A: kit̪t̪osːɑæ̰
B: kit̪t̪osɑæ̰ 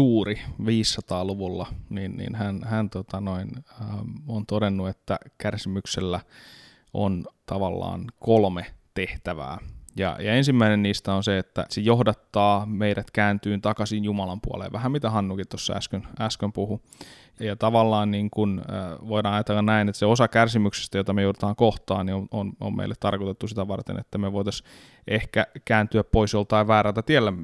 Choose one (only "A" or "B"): A